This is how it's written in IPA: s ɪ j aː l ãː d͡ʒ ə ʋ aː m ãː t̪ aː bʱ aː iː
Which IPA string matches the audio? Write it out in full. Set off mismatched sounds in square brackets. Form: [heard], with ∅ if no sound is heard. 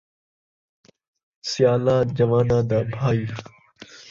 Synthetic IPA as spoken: s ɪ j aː l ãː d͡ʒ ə ʋ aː [n] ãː [d̪] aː bʱ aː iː